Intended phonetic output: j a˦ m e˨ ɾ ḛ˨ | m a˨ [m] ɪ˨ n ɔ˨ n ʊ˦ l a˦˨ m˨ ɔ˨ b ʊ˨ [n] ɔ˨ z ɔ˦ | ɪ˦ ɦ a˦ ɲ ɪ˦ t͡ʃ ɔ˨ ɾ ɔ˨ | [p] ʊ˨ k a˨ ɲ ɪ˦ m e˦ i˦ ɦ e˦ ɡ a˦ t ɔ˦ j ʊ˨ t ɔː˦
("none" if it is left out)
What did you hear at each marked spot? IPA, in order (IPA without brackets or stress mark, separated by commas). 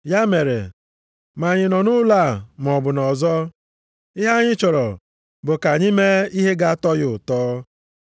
ɲ, n, b